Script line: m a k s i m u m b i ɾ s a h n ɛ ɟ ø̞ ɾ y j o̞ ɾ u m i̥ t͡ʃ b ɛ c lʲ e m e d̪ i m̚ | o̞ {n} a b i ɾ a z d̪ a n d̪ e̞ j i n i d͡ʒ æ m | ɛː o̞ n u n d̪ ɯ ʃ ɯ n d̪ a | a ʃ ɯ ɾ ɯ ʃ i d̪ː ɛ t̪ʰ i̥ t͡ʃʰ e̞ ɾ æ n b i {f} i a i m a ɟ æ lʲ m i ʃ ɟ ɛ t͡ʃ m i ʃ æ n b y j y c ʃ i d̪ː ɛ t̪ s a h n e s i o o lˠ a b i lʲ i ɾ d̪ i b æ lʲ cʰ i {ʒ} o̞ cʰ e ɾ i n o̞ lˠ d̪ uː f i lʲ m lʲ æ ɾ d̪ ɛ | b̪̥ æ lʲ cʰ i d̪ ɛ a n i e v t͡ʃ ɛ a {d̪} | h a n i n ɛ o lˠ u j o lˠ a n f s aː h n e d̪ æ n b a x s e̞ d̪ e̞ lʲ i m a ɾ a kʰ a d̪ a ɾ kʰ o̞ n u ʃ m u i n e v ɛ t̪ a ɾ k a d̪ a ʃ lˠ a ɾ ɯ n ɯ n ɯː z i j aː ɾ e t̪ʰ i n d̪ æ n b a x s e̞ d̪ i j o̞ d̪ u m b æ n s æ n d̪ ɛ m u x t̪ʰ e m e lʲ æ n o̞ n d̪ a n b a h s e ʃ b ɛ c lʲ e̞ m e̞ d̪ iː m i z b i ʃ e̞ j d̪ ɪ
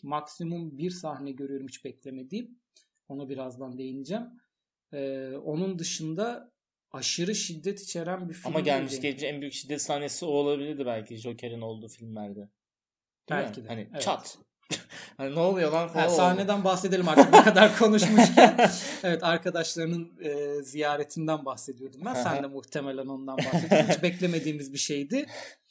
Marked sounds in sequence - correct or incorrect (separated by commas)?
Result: correct, correct, correct, incorrect